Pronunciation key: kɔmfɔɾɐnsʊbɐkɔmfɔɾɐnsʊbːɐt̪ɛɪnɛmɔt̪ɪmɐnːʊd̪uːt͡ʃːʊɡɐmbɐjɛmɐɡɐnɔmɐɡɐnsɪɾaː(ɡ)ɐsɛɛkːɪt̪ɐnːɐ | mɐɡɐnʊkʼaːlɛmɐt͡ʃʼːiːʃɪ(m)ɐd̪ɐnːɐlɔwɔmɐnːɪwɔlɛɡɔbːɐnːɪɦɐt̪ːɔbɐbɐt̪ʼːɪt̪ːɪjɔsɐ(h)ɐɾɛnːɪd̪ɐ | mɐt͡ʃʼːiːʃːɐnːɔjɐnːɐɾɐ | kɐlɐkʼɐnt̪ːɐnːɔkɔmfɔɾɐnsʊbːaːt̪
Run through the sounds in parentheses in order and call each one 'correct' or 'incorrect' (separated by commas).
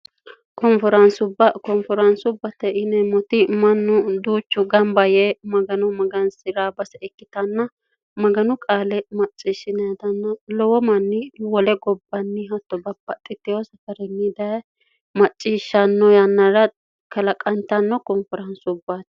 incorrect, incorrect, incorrect